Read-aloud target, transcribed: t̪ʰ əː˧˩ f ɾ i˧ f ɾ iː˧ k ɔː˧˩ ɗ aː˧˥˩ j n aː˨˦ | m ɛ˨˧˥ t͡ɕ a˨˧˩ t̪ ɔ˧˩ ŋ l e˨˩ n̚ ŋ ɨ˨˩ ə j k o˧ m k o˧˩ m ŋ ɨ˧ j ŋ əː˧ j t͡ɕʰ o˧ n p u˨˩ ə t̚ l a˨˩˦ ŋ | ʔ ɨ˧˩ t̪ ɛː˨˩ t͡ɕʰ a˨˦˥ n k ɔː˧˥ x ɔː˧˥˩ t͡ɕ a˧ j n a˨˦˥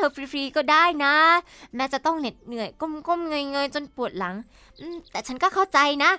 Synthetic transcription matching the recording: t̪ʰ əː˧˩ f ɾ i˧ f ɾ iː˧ k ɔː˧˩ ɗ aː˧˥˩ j n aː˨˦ | m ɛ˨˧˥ t͡ɕ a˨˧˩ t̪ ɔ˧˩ ŋ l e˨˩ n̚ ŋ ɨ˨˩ ə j k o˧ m k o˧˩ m ŋ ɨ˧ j ŋ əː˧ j t͡ɕ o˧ n p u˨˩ ə t̚ l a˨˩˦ ŋ | ʔ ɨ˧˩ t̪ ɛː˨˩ t͡ɕʰ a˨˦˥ n k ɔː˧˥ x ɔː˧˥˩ t͡ɕ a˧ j n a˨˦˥